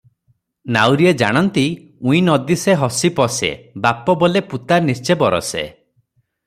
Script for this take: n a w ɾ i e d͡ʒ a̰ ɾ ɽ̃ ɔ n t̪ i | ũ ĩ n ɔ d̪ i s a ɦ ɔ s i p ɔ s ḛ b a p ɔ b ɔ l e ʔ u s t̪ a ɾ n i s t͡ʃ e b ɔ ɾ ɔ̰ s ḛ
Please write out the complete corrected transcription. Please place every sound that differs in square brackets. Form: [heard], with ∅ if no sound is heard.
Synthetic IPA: n a w ɾ i e d͡ʒ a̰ [∅] ɽ̃ ɔ n t̪ i | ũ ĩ n ɔ d̪ i s [e] ɦ ɔ s i p ɔ s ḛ b a p ɔ b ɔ l e [p] u [∅] t̪ a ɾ n i s t͡ʃ e b ɔ ɾ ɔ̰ s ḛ